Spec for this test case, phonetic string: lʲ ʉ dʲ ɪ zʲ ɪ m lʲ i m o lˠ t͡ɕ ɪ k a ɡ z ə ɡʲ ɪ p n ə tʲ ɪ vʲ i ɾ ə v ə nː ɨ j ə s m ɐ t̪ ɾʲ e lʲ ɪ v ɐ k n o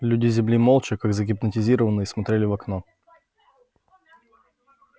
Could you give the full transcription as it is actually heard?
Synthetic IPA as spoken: lʲ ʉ dʲ ɪ zʲ ɪ m lʲ i m o lˠ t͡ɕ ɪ k a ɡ z ə ɡʲ ɪ p n ə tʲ ɪ zʲ i ɾ ə v ə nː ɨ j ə s m ɐ t̪ ɾʲ e lʲ ɪ v ɐ k n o